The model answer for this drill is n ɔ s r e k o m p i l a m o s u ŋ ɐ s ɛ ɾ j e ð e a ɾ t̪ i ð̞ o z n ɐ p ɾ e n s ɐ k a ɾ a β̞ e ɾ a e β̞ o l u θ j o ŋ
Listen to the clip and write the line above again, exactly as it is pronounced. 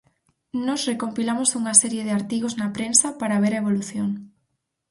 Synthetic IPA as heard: n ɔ s r e k o m p i l a m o s u ŋ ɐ s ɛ ɾ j e ð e a ɾ t̪ i ɣ̞ o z n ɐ p ɾ e n s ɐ p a ɾ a β̞ e ɾ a e β̞ o l u θ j o ŋ